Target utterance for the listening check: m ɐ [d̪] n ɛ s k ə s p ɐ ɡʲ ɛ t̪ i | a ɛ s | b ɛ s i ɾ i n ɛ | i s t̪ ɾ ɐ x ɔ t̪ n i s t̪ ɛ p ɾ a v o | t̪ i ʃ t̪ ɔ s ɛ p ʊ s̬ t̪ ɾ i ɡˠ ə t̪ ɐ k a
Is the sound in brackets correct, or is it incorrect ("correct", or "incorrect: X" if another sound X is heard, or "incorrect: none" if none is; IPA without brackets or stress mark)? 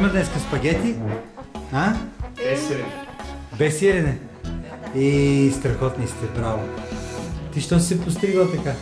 correct